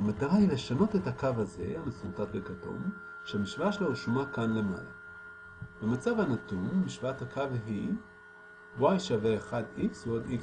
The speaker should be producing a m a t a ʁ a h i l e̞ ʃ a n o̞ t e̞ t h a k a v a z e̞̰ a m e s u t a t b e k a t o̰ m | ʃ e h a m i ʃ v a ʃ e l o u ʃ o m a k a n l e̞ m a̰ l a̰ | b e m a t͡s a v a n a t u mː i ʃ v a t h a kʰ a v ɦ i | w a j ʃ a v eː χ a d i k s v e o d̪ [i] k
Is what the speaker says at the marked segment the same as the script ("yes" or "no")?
yes